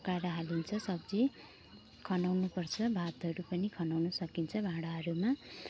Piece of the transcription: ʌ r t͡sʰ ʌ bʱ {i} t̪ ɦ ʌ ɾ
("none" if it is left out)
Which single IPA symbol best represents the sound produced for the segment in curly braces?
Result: a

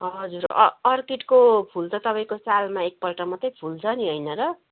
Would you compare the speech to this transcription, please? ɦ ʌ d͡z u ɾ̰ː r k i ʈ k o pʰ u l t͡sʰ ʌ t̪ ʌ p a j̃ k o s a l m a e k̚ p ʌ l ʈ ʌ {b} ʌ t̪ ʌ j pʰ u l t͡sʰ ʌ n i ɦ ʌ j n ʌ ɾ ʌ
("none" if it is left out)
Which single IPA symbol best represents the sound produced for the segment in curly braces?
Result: m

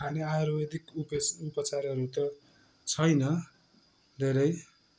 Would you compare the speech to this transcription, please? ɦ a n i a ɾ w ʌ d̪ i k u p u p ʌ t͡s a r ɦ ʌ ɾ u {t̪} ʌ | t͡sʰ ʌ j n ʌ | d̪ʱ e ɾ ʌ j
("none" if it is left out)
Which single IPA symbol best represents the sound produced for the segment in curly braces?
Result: t̪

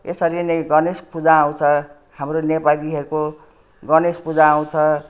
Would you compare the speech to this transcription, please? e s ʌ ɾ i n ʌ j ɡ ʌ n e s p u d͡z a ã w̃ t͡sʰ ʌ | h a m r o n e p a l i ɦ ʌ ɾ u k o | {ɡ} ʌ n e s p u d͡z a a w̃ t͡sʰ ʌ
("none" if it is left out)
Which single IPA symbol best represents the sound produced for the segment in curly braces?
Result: ɡ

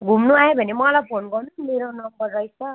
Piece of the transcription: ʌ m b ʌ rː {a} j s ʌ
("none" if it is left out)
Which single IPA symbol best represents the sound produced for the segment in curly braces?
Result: ʌ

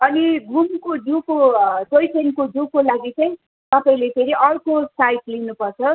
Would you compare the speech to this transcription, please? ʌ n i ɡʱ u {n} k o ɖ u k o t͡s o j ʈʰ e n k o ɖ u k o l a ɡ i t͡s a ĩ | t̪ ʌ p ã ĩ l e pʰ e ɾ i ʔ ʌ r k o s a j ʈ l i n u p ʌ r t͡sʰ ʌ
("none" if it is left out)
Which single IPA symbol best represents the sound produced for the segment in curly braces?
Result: m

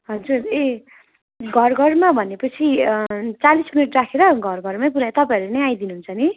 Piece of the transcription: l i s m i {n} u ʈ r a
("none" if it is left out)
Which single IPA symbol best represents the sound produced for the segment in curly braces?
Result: n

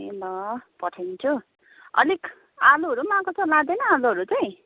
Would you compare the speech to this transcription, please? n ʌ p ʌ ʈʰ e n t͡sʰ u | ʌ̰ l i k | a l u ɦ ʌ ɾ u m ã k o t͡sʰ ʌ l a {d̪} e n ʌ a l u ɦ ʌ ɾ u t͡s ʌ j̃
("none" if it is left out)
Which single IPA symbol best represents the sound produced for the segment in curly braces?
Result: d̪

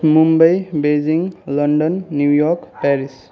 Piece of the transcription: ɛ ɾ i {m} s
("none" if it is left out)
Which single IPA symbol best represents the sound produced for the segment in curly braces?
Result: none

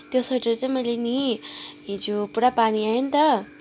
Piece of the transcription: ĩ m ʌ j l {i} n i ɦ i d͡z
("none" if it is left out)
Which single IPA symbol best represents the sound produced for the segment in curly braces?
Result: e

